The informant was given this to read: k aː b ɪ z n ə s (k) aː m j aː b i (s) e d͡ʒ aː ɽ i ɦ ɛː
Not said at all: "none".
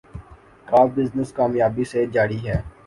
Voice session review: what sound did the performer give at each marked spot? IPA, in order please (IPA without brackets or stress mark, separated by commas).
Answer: k, s